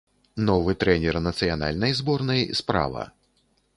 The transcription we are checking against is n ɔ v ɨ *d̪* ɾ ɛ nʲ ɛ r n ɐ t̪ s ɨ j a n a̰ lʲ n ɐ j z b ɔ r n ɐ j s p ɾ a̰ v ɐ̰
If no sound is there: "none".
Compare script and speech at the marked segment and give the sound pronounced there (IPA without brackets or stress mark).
t̪